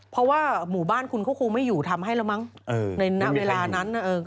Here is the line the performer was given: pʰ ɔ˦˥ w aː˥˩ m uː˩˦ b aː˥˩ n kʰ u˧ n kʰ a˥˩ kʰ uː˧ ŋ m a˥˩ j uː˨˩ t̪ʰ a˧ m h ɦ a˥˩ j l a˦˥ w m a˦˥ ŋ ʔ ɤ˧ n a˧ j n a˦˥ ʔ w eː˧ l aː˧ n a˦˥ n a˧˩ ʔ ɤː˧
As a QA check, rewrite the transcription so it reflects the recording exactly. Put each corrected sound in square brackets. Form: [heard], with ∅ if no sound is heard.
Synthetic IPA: pʰ ɔ˦˥ w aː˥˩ m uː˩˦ b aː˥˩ n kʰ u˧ n kʰ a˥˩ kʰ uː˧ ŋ m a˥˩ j uː˨˩ t̪ʰ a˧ m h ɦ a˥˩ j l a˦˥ w m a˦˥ ŋ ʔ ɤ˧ n a˧ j n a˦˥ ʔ w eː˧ l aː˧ n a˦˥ n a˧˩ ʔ ɤː˧